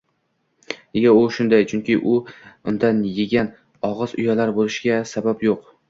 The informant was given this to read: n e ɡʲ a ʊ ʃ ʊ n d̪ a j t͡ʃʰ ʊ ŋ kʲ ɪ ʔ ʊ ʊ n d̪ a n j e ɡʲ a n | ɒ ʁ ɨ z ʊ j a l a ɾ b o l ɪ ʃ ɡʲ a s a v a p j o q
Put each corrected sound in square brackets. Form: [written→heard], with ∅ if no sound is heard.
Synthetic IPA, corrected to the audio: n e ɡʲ a ʊ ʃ ʊ n d̪ a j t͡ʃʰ ʊ ŋ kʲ ɪ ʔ ʊ ʊ n d̪ a n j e ɡʲ a n | ɒ ʁ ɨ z ʊ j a l a ɾ b o l ɪ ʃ ɡʲ a s a [v→b] a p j o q